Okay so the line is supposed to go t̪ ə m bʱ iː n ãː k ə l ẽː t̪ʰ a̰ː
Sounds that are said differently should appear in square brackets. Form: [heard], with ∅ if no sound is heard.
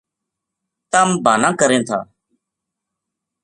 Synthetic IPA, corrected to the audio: t̪ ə m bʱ [aː] n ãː k ə [ɾ] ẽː t̪ʰ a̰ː